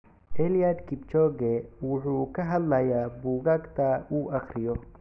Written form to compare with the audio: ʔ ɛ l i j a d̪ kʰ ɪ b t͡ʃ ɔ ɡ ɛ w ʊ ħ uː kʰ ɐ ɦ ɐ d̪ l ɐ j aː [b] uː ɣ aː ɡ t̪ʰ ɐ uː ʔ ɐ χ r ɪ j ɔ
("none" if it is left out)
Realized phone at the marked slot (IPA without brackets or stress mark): b